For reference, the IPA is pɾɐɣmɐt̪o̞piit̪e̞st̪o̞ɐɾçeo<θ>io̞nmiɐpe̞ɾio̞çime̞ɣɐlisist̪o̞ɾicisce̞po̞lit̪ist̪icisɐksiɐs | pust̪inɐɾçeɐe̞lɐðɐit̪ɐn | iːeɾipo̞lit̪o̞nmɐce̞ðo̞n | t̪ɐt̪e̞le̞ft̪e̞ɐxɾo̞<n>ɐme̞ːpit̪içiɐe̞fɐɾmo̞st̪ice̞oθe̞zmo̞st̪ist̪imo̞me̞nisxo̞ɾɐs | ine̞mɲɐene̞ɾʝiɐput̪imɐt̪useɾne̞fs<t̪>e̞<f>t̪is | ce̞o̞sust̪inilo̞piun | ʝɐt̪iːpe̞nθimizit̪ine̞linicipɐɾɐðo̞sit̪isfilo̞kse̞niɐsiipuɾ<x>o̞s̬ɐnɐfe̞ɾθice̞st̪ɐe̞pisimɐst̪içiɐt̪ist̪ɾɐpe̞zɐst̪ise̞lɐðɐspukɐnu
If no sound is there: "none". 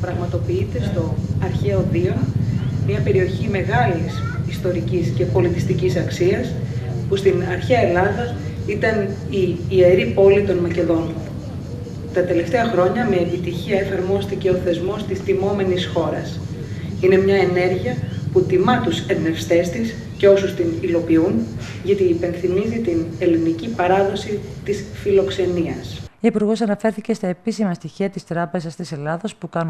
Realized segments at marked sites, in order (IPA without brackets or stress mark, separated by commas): ð, ɲ, t̪, s, ɣ